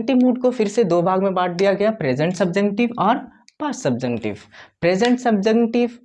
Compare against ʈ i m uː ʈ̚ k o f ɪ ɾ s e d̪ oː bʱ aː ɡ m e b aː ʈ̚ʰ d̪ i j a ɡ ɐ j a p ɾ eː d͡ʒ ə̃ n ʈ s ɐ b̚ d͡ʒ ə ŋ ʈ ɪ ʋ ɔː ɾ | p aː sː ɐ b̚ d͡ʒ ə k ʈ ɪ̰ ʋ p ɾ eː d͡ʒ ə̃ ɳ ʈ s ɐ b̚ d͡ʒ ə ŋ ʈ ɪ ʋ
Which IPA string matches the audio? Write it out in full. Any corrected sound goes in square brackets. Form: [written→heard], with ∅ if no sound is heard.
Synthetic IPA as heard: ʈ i m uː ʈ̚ k o f ɪ ɾ s e d̪ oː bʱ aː ɡ m [e→ẽ] b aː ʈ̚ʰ d̪ i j a ɡ ɐ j a p ɾ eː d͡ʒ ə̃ [n→ɳ] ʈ s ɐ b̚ d͡ʒ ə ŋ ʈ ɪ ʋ ɔː ɾ | p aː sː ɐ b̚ d͡ʒ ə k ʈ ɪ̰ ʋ p ɾ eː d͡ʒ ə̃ ɳ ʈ s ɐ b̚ d͡ʒ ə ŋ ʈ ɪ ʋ